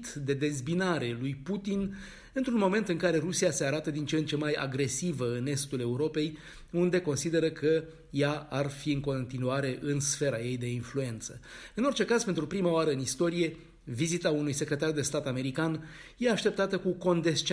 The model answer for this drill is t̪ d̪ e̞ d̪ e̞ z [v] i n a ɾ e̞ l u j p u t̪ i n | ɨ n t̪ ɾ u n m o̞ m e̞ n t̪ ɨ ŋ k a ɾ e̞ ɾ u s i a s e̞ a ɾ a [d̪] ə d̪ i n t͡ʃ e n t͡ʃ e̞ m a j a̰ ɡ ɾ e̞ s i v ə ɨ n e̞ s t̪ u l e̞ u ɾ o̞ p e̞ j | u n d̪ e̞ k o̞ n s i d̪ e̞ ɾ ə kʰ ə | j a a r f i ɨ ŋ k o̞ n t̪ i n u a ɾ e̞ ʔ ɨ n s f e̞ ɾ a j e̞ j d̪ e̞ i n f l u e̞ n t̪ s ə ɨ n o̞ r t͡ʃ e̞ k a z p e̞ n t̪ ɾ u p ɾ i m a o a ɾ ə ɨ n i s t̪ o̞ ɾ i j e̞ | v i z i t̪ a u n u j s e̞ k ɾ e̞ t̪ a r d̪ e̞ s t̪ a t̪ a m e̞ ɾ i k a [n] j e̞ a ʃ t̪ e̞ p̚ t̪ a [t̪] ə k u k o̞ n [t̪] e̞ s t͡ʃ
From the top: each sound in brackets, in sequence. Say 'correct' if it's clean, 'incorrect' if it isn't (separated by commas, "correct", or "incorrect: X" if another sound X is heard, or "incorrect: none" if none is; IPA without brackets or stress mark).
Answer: incorrect: b, incorrect: t̪, correct, correct, incorrect: d̪